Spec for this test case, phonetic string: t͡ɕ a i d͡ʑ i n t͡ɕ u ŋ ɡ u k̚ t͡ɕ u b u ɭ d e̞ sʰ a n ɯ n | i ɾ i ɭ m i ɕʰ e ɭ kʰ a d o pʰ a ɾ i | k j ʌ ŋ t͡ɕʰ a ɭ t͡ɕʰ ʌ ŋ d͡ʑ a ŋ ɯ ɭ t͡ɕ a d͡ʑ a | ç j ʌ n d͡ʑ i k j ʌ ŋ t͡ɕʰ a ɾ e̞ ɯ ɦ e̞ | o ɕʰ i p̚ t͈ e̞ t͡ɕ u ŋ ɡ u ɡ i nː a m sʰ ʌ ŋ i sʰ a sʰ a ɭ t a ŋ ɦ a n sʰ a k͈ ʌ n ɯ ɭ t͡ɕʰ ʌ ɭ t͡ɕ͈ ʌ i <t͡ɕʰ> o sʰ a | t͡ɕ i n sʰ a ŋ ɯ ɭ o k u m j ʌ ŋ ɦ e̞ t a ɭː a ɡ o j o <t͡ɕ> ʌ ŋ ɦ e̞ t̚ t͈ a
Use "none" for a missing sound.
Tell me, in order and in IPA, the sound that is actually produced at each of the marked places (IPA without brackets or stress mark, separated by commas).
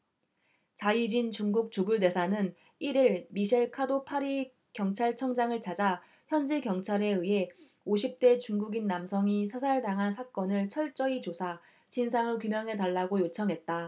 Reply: t͡ɕ, t͡ɕʰ